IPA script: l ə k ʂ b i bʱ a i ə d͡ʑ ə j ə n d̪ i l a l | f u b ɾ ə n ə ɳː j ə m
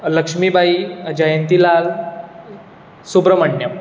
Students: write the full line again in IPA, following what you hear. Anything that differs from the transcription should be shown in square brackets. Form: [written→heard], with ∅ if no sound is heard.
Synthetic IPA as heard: l ə k ʂ [b→m] i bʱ a i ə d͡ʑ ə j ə n [d̪→t̪] i l a l | [f→s] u b ɾ ə [n→m] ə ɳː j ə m

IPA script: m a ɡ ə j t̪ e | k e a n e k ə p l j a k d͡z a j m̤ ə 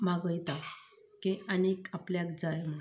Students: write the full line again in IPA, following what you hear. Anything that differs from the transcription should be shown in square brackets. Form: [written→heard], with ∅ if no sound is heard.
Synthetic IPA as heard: m a ɡ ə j t̪ [e→a] | k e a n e k [ə→a] p l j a k d͡z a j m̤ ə

